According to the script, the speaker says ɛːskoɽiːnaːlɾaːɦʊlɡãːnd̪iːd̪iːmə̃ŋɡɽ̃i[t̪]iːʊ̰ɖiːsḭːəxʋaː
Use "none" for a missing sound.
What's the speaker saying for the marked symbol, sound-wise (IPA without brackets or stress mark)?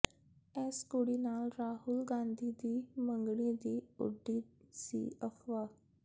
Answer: d̪